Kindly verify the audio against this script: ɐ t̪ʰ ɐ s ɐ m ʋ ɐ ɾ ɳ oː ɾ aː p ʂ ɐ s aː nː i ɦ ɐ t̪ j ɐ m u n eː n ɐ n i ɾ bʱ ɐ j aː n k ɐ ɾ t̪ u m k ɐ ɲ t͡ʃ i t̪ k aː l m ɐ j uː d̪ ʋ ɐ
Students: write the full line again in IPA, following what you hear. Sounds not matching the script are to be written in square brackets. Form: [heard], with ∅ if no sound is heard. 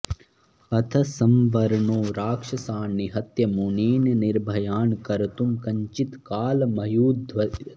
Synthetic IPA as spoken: ɐ t̪ʰ ɐ s ɐ m ʋ ɐ ɾ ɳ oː ɾ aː [k] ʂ ɐ s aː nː i ɦ ɐ t̪ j ɐ m u n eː n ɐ n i ɾ bʱ ɐ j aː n k ɐ ɾ t̪ u m k ɐ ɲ t͡ʃ i t̪ k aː l m ɐ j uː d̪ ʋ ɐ